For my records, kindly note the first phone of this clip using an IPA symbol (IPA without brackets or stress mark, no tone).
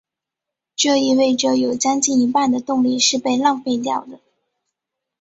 ʈ͡ʂ